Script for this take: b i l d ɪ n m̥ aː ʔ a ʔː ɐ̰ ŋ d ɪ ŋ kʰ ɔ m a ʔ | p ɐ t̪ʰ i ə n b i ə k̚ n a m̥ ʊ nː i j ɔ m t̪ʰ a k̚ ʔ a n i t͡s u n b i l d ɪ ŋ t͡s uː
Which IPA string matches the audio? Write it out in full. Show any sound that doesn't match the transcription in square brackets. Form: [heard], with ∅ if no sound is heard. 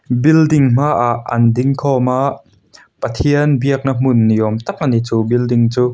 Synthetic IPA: b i l d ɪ [ŋ] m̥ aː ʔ a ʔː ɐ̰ [n] d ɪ ŋ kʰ ɔ m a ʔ | p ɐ t̪ʰ i ə n b i ə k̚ n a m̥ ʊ nː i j ɔ m [t̪] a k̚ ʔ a n i t͡s u [∅] b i l d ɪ ŋ t͡s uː